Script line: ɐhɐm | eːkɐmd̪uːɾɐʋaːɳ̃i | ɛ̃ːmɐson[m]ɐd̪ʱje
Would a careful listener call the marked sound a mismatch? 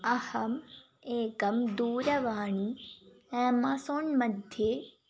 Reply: no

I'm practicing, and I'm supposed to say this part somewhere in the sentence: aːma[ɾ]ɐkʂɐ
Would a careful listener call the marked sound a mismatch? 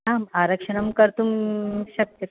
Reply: no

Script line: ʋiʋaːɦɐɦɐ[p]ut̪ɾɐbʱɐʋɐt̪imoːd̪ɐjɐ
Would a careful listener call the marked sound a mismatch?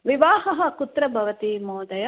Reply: yes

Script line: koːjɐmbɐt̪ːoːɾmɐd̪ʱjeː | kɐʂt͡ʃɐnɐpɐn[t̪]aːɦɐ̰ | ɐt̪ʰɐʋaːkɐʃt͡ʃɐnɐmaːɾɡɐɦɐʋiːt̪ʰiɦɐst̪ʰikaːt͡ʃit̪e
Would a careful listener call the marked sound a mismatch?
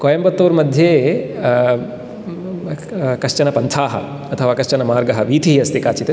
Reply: yes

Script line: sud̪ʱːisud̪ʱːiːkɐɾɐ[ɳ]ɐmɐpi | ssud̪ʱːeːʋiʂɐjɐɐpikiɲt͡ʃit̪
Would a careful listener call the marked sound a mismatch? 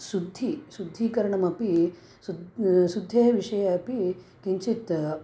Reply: no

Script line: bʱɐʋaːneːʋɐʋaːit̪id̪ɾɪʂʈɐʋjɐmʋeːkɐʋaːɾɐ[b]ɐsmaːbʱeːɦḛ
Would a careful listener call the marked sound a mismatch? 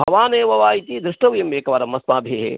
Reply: yes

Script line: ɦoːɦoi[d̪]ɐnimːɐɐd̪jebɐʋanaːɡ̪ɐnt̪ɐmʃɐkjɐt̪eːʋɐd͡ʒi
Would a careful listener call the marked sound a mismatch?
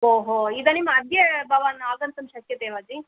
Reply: no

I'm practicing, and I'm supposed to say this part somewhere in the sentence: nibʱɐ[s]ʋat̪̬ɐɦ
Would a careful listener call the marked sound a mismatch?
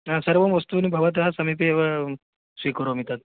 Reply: yes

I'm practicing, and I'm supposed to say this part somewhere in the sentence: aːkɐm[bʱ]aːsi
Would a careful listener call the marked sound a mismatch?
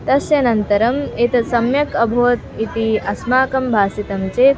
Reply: no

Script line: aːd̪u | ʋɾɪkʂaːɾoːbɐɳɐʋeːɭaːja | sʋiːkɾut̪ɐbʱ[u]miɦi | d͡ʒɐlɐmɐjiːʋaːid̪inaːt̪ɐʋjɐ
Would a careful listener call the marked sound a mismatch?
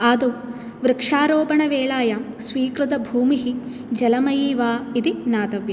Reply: yes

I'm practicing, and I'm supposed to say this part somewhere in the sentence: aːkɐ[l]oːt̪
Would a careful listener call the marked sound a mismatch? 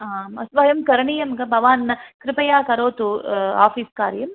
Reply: yes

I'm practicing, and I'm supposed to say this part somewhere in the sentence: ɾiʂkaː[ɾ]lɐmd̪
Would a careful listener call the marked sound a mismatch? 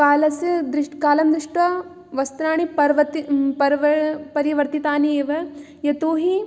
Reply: yes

